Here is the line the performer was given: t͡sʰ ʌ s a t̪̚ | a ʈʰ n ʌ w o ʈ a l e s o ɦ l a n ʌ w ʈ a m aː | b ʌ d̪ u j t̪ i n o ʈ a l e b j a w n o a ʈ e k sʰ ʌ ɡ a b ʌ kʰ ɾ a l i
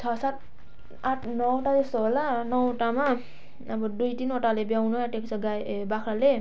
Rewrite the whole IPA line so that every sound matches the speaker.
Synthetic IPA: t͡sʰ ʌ s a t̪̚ | a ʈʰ n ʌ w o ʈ a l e s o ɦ l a n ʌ w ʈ a m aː | b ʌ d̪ u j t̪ i n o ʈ a l e b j a w n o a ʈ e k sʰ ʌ ɡ a b a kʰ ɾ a l e